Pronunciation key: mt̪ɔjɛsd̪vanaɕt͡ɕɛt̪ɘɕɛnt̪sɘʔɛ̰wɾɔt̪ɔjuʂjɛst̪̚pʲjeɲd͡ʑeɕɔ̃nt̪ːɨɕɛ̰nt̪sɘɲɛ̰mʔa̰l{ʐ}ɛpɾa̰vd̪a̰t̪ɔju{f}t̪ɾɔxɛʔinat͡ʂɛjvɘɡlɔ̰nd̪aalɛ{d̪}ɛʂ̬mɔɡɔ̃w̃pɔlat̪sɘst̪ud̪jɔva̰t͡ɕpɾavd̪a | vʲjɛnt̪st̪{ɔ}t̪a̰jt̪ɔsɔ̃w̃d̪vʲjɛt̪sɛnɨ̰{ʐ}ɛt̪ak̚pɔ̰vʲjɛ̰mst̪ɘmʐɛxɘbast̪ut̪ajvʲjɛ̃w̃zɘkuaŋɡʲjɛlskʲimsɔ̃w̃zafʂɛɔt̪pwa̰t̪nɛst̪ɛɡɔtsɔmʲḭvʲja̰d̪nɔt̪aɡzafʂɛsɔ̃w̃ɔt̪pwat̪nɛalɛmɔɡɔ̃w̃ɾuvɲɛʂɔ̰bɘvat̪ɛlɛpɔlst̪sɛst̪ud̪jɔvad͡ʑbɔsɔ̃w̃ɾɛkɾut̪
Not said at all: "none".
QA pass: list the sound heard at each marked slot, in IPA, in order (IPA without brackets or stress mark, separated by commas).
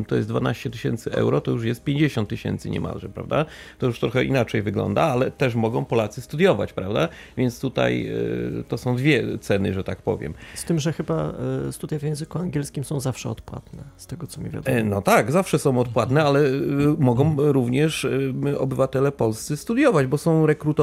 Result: ʐ, ʂ, t̪, u, ʐ